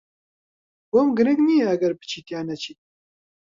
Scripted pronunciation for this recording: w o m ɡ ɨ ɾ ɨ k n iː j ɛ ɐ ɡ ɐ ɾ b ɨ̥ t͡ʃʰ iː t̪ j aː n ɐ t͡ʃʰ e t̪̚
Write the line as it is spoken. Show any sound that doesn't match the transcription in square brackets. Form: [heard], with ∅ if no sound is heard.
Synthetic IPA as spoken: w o m ɡ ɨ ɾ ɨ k n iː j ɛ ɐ ɡ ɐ ɾ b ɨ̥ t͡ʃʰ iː t̪ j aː n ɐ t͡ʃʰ [i] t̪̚